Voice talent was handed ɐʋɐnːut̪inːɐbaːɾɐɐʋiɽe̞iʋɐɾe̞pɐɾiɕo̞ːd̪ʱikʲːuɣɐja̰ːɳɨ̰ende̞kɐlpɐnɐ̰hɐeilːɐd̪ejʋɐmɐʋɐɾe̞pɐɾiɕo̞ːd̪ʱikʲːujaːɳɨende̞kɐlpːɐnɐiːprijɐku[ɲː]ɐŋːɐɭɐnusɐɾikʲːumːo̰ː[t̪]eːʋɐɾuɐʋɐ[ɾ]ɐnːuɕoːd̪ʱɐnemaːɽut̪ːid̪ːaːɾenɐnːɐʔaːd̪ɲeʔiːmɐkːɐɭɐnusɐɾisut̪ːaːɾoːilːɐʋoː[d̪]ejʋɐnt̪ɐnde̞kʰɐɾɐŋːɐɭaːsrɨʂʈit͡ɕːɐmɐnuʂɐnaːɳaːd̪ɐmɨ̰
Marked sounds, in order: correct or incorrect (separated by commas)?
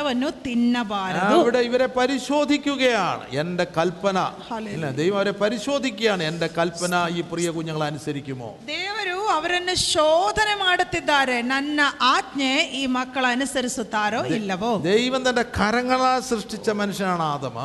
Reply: correct, incorrect, correct, correct